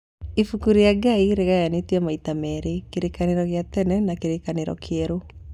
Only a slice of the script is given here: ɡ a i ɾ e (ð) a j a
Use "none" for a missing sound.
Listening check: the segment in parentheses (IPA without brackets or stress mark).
ɣ